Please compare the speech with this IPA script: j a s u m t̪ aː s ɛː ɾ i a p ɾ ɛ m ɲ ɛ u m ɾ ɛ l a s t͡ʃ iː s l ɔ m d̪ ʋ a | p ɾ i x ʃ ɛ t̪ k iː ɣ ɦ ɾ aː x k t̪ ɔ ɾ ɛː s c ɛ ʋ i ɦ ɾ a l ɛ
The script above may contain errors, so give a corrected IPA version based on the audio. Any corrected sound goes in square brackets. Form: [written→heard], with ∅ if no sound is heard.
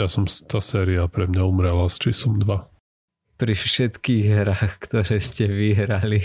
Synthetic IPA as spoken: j a s [u→ɔ] m t̪ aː s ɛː ɾ i a p ɾ ɛ m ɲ [ɛ→a] u m ɾ ɛ l a s t͡ʃ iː s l ɔ m d̪ ʋ a | p ɾ i [x→f] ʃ ɛ t̪ k iː ɣ ɦ ɾ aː x k t̪ ɔ ɾ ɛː s c ɛ ʋ i ɦ ɾ a l [ɛ→i]